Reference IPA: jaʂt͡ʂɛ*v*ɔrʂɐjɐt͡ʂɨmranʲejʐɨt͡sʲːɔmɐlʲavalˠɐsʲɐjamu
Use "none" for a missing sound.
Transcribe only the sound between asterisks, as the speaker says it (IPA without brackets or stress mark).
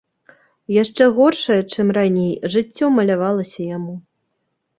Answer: ɣ